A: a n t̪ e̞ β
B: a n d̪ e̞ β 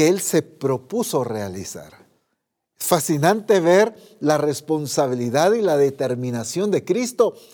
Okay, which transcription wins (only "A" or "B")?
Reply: A